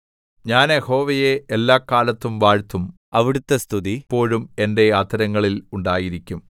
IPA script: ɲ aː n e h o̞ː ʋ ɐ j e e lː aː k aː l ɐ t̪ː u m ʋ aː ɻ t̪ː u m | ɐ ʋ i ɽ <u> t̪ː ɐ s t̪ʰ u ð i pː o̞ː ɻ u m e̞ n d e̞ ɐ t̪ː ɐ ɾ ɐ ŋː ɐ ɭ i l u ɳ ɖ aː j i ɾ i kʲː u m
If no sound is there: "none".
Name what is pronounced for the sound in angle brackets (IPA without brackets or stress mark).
u